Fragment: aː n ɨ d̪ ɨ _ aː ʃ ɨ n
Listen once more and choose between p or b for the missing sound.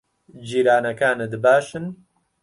b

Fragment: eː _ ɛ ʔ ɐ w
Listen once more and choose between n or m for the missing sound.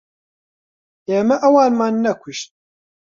m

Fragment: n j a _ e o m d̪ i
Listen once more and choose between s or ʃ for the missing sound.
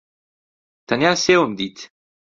s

